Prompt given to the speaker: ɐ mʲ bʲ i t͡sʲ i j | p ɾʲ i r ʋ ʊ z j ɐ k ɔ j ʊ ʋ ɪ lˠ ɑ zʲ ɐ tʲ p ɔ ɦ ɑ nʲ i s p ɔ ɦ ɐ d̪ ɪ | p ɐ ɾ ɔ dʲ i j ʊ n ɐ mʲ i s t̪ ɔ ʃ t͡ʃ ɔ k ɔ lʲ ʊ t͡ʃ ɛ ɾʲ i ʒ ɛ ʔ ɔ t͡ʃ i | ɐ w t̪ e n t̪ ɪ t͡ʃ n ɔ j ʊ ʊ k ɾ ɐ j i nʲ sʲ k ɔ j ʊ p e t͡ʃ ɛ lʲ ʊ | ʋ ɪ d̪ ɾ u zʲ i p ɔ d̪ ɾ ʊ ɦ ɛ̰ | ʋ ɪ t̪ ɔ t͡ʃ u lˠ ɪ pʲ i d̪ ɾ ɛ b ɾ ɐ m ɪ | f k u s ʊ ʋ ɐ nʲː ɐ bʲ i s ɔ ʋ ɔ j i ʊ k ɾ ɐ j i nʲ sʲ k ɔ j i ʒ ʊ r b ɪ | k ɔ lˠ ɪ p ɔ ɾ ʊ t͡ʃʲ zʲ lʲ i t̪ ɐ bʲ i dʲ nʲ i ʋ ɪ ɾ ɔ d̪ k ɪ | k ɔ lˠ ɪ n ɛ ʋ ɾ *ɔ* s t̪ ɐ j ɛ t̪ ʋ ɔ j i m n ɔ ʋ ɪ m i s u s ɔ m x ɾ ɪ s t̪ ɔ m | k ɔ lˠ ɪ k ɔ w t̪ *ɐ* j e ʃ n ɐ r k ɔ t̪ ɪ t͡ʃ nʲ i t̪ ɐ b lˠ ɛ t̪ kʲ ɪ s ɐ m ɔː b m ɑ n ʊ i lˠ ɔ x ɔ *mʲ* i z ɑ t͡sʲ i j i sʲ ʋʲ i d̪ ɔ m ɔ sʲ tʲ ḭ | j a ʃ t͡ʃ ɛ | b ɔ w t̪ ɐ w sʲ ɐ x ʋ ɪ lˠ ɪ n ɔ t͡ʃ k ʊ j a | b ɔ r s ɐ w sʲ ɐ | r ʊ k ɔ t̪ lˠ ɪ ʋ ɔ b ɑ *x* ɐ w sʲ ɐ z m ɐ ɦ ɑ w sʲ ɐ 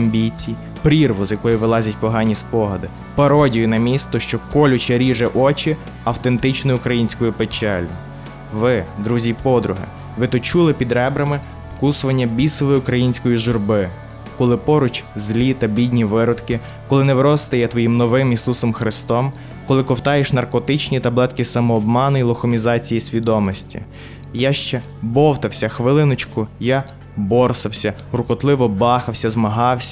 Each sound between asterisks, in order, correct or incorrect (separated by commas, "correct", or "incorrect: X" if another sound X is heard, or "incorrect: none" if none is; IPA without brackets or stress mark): correct, incorrect: ɑ, correct, correct